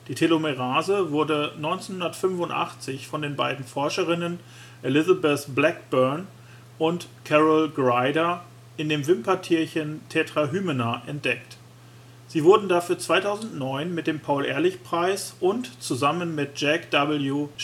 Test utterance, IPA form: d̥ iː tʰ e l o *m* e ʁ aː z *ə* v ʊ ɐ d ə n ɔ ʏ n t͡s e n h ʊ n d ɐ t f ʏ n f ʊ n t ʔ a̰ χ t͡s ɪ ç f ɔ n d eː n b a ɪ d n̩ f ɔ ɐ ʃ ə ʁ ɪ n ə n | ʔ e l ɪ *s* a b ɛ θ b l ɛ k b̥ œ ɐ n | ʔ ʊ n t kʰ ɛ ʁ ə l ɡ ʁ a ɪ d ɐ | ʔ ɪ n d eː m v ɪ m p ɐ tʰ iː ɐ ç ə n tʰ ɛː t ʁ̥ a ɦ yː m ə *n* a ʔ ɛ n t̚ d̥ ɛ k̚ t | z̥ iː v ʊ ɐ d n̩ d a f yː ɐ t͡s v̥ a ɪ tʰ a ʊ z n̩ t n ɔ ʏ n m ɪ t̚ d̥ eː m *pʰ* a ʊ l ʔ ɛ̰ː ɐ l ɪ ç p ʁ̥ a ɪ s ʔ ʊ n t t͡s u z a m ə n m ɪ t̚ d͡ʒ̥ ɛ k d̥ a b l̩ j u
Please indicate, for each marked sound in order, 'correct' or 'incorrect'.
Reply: correct, correct, incorrect: z, correct, correct

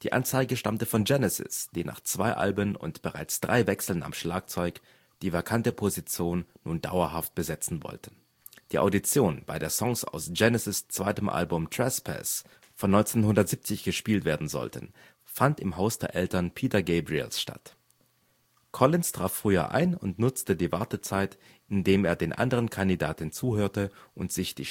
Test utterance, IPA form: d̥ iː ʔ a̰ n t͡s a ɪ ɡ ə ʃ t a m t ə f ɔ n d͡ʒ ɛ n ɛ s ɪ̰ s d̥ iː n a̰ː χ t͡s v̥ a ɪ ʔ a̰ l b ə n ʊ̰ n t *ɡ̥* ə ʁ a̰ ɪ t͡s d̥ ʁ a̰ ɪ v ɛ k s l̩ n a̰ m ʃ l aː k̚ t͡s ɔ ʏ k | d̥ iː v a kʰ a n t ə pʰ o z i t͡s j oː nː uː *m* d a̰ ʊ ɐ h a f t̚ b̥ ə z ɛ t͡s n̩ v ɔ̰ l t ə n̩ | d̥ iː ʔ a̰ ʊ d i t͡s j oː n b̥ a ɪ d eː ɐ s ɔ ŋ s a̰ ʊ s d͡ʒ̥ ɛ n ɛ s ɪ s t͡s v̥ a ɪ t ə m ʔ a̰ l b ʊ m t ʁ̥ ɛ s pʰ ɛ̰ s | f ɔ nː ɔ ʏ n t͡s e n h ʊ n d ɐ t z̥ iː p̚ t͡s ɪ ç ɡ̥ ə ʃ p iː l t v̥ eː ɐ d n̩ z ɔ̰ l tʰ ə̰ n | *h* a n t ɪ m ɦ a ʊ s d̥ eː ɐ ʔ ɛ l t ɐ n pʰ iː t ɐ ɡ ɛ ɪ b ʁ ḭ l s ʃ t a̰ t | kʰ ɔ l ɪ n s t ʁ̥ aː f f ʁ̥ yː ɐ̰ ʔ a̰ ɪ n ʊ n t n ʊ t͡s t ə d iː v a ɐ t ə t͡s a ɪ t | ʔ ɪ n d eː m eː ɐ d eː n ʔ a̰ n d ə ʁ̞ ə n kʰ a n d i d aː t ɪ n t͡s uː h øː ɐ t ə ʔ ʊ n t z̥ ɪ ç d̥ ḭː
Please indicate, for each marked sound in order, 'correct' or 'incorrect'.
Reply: incorrect: b̥, incorrect: n, incorrect: f

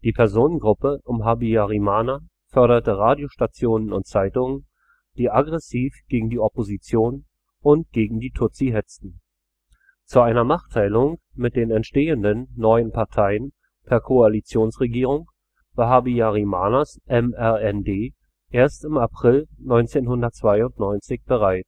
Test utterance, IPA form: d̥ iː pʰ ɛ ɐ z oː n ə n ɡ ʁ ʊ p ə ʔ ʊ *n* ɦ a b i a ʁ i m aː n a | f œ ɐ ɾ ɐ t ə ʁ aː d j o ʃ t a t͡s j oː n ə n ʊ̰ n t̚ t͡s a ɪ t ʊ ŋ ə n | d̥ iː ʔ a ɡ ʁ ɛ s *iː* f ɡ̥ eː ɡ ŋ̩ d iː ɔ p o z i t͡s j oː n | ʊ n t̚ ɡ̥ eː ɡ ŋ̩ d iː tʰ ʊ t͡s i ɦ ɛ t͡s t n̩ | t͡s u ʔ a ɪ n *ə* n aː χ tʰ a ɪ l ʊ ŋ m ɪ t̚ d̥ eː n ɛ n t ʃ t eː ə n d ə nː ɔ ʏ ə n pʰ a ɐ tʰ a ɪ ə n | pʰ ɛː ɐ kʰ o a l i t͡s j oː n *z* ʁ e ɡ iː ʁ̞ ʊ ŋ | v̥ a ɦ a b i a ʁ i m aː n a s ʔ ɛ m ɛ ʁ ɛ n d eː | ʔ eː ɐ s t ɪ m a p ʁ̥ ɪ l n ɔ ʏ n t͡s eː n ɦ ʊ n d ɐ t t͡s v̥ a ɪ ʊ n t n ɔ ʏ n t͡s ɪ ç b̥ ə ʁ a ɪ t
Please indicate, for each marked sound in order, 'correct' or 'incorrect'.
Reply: incorrect: m, correct, incorrect: ɐ, incorrect: s

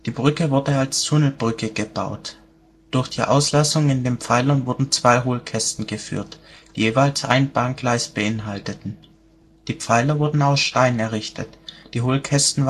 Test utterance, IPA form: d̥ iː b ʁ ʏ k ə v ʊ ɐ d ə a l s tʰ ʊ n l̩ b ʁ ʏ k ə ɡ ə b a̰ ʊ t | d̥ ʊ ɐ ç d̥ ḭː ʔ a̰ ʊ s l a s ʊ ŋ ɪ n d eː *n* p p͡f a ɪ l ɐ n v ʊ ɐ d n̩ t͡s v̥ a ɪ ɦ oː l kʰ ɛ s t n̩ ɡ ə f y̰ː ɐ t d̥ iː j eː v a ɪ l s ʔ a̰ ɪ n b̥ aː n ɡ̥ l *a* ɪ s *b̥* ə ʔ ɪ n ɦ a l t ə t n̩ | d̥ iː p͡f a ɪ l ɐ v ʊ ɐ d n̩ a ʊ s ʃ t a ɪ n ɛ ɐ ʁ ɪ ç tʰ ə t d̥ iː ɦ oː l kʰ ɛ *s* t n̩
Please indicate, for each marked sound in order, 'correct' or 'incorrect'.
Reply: correct, correct, correct, correct

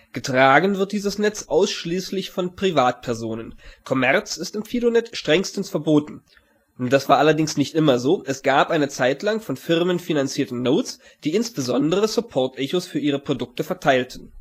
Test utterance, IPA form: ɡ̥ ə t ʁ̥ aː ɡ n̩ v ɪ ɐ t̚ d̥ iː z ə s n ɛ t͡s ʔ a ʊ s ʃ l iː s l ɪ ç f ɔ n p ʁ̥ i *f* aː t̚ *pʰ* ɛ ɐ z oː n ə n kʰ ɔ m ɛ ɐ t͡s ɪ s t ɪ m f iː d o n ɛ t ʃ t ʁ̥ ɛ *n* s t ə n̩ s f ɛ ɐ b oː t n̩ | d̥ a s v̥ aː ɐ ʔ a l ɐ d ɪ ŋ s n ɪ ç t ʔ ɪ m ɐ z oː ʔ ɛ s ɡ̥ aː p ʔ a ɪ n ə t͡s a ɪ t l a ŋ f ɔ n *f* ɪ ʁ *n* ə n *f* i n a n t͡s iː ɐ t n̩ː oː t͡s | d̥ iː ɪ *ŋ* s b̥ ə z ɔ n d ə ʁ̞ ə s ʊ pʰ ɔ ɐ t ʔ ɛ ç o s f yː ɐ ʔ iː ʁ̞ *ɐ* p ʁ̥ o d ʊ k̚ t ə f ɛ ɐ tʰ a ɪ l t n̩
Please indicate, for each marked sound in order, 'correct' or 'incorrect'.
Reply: incorrect: v, correct, incorrect: ŋ, correct, incorrect: m, correct, incorrect: n, incorrect: ə

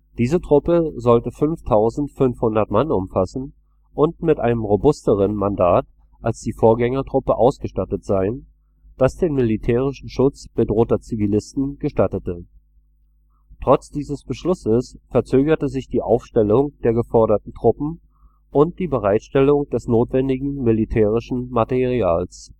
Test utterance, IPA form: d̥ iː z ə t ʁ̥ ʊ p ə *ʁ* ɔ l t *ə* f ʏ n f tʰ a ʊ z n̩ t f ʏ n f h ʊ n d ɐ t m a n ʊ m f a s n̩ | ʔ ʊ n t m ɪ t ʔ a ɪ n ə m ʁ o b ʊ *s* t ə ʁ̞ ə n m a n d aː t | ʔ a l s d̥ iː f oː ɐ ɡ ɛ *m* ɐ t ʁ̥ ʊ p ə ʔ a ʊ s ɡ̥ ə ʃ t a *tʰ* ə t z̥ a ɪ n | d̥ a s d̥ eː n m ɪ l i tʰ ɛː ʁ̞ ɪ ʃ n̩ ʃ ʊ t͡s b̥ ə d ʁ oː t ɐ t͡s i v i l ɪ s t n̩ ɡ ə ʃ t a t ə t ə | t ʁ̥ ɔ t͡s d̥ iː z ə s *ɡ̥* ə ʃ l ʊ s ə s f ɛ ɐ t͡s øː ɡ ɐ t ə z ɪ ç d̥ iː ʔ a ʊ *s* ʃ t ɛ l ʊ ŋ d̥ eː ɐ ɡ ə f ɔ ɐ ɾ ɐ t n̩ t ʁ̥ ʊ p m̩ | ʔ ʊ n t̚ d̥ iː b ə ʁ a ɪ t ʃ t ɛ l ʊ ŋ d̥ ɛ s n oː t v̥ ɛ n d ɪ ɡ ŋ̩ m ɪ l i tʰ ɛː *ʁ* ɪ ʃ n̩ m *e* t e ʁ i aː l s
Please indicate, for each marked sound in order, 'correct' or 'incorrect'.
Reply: incorrect: z, correct, correct, incorrect: ŋ, incorrect: t, incorrect: b̥, incorrect: f, correct, incorrect: a

